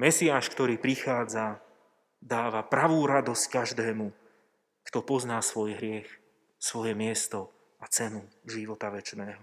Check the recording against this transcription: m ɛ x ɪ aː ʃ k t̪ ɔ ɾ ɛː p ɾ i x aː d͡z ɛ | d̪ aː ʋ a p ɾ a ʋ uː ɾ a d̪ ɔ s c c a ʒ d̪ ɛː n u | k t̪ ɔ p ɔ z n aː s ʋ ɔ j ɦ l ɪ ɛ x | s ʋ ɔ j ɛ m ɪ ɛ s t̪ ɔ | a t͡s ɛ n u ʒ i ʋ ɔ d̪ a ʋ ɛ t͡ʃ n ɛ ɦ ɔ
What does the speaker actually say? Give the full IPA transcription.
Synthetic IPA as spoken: m ɛ s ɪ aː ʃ k t̪ ɔ ɾ iː p ɾ i x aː d͡z a | d̪ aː ʋ a p ɾ a ʋ uː ɾ a d̪ ɔ s c k a ʒ d̪ ɛː m u | k t̪ ɔ p ɔ z n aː s ʋ ɔ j ɦ ɾ ɪ ɛ x | s ʋ ɔ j ɛ m ɪ ɛ s t̪ ɔ | a t͡s ɛ n u ʒ i ʋ ɔ t̪ a ʋ ɛ t͡ʃ n ɛː ɦ ɔ